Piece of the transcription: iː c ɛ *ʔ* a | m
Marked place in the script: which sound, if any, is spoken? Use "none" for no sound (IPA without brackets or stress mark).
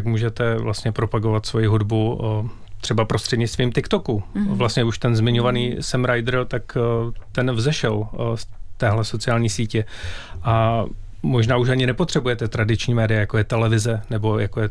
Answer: ʔ